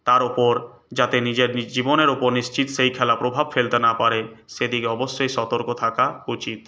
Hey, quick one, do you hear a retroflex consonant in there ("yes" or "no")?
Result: no